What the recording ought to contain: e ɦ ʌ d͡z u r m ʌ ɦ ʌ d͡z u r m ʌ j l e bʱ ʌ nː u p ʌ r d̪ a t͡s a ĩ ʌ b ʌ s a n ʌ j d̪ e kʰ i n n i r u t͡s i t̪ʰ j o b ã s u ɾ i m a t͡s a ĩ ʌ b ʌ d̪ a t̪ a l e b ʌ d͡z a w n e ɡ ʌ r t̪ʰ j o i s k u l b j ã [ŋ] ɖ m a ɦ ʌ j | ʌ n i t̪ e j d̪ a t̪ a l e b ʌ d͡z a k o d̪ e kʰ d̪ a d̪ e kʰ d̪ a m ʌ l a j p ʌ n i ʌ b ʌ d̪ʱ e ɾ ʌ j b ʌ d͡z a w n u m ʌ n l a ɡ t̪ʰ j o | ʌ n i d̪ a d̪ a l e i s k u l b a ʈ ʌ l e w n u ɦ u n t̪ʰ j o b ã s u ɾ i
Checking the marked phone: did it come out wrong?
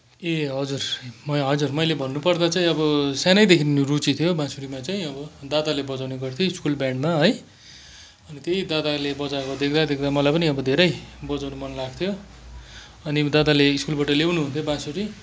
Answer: yes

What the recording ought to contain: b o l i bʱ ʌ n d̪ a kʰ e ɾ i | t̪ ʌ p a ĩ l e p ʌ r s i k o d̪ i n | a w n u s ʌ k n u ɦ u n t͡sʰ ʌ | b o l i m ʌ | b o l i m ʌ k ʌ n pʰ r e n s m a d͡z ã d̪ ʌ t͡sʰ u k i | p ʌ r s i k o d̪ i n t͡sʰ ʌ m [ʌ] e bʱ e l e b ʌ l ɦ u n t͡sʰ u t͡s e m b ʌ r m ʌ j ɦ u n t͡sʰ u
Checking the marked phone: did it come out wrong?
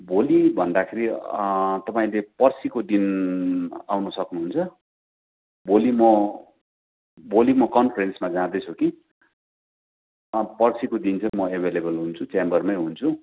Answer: no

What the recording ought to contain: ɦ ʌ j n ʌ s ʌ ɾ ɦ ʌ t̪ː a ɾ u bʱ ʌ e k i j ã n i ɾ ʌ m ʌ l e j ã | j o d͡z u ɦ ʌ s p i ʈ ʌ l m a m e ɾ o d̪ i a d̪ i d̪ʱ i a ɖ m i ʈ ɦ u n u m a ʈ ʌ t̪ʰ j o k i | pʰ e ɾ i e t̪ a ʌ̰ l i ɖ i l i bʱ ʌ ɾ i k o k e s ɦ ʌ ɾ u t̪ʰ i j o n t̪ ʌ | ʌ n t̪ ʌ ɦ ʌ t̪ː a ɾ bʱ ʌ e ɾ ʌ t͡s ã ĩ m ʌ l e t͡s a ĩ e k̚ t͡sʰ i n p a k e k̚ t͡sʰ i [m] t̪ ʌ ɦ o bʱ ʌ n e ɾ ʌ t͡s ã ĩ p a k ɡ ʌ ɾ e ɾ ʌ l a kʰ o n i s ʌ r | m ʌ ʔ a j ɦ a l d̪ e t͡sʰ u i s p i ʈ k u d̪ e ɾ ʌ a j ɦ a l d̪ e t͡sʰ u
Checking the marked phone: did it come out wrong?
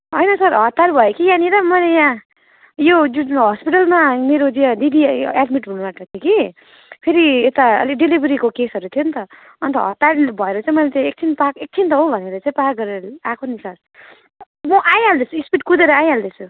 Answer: yes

